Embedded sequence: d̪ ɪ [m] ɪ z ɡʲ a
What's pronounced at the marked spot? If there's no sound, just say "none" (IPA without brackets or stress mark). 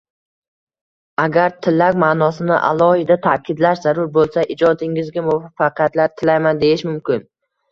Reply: ŋ